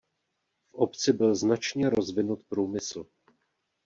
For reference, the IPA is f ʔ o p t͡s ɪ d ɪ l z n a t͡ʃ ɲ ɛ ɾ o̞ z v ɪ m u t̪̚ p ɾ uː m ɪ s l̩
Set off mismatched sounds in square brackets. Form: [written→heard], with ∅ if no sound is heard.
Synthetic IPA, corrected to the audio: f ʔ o p t͡s ɪ [d→b] ɪ l z n a t͡ʃ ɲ ɛ ɾ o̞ z v ɪ [m→n] u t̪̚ p ɾ uː m ɪ s l̩